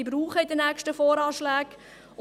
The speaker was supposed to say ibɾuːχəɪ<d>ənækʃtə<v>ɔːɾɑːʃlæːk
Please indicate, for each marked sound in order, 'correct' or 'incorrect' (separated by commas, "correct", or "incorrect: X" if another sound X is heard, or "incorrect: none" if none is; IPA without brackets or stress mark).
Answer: correct, incorrect: f